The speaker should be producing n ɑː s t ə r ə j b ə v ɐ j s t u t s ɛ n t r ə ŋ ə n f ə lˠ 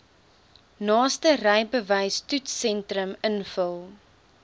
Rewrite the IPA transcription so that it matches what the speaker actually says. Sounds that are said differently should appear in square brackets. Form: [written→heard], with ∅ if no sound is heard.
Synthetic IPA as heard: n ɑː s t ə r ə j b ə v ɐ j s t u t s ɛ n t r ə [ŋ→m] ə n f ə lˠ